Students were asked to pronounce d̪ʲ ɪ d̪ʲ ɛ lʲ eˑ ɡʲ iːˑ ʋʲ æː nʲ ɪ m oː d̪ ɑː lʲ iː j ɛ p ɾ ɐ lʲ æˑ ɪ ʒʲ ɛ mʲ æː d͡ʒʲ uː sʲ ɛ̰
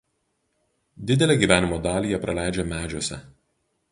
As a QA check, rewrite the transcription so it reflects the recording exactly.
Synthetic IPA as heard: d̪ʲ ɪ d̪ʲ ɛ lʲ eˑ ɡʲ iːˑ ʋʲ æː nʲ ɪ m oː d̪ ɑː lʲ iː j ɛ p ɾ ɐ lʲ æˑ ɪ d͡ʒʲ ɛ mʲ æː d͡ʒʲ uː sʲ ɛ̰